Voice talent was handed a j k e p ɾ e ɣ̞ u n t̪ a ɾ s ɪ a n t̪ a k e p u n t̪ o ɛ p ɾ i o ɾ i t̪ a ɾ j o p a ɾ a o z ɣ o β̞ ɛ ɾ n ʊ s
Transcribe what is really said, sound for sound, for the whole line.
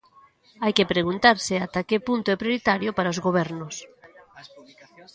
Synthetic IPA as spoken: a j k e p ɾ e ɣ̞ u n t̪ a ɾ s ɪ a t̪ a k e p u n t̪ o ɛ p ɾ j o ɾ i t̪ a ɾ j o p a ɾ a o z ɣ o β̞ ɛ ɾ n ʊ s